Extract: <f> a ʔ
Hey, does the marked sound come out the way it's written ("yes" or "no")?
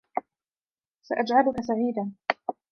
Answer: no